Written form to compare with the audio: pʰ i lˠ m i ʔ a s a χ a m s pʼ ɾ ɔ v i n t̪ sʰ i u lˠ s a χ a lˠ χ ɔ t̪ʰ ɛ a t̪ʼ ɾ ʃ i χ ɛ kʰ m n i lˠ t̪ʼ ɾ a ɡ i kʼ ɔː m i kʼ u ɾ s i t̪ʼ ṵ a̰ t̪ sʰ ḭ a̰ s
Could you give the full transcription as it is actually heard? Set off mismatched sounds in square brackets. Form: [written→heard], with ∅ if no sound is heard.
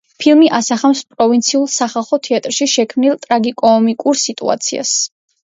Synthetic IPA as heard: pʰ i lˠ m i ʔ a s a χ a m s pʼ ɾ ɔ v i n t̪ sʰ i u lˠ s a χ a lˠ χ ɔ t̪ʰ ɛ a t̪ʼ ɾ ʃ i [χ→ʃ] ɛ kʰ m n i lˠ t̪ʼ ɾ a ɡ i kʼ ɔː m i kʼ u ɾ s i t̪ʼ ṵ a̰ t̪ sʰ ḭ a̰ s